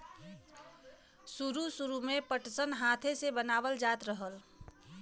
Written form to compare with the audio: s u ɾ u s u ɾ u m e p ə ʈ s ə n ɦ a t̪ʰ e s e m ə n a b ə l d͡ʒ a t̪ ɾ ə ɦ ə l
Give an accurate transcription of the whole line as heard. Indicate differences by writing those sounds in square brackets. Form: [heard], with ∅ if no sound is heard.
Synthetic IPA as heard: s u ɾ u s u ɾ u m e p ə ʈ s ə n ɦ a t̪ʰ e s e [b] ə n a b ə l d͡ʒ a t̪ ɾ ə ɦ ə l